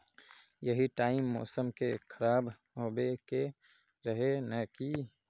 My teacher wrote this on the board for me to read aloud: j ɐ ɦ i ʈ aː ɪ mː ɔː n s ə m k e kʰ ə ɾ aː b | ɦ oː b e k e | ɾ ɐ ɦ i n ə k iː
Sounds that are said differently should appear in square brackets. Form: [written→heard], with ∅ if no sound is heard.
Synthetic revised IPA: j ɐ ɦ i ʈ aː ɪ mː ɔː [n→∅] s ə m k e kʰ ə ɾ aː b | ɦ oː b e k e | ɾ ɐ ɦ [i→e] n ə k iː